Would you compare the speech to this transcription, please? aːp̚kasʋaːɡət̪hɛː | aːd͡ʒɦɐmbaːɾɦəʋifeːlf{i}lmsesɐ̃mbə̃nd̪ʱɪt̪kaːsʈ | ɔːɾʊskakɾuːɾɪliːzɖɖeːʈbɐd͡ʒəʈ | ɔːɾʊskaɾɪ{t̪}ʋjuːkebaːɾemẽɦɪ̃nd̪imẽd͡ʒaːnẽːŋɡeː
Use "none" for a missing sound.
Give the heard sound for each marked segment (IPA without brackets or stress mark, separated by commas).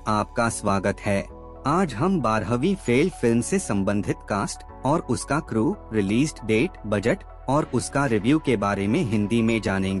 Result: ɪ, none